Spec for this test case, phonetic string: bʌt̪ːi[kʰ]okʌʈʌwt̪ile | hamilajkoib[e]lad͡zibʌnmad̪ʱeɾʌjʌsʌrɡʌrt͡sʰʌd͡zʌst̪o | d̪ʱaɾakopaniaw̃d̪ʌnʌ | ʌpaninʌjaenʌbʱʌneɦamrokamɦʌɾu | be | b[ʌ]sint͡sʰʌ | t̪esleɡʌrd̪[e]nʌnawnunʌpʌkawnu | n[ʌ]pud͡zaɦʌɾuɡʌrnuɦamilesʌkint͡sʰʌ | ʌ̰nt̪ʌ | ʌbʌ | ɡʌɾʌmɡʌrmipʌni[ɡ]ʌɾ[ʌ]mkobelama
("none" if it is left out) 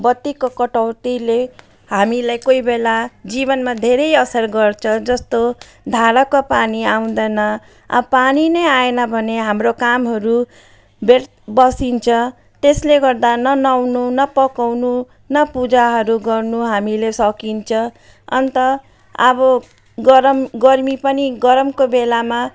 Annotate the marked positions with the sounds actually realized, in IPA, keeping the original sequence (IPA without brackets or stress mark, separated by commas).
k, e, ʌ, a, ʌ, ɡ, ʌ